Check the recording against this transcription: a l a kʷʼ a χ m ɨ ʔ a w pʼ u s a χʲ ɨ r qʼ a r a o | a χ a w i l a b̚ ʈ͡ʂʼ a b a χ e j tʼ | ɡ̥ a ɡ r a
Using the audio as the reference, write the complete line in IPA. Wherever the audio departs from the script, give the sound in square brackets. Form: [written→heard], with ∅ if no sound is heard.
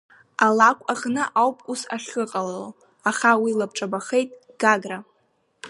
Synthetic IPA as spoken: a l a kʷʼ a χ [m→n] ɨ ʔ a w pʼ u s a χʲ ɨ [r→∅] qʼ a [r→l] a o | a χ a w i l a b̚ ʈ͡ʂʼ a b a χ e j tʼ | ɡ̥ a ɡ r a